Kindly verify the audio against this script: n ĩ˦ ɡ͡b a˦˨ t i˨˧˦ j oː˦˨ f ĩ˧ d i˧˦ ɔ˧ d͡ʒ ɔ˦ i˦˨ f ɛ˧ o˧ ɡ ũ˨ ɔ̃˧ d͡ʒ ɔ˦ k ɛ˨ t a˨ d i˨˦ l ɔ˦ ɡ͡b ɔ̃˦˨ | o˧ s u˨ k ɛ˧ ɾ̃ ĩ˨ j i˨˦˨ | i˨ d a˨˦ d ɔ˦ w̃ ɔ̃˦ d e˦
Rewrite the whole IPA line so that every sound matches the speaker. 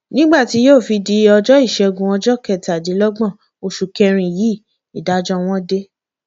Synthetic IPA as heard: n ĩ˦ ɡ͡b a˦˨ t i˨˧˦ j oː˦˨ f i˧ d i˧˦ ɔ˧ d͡ʒ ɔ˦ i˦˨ ʃ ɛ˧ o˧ ɡ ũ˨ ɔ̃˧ d͡ʒ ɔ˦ k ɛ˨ t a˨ d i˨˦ l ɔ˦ ɡ͡b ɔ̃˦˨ | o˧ ʃ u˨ k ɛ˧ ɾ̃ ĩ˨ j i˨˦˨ | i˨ d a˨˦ d͡ʒ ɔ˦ w̃ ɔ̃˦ d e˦